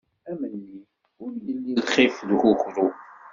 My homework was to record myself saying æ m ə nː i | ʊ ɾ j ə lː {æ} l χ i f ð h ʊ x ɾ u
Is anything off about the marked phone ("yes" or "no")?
yes